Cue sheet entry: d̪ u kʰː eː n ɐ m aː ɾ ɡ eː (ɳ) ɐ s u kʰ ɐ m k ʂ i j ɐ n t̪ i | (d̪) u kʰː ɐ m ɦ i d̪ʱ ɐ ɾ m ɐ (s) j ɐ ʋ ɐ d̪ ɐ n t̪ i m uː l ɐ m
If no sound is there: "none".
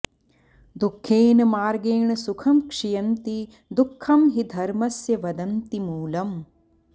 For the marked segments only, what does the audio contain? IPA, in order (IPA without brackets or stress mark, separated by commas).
ɳ, d̪, s